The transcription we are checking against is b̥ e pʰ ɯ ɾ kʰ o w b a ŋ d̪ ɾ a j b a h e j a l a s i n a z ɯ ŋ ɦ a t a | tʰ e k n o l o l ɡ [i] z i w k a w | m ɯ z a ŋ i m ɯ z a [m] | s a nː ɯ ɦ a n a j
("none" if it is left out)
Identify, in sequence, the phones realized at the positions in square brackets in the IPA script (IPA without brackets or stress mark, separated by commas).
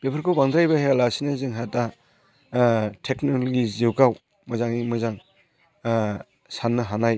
i, ŋ